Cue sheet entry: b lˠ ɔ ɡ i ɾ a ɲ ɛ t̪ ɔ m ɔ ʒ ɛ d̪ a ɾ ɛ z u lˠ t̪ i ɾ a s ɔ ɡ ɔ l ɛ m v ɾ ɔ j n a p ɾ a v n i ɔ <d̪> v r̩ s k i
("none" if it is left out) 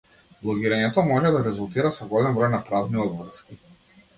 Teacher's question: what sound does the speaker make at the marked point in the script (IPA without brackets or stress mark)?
d̪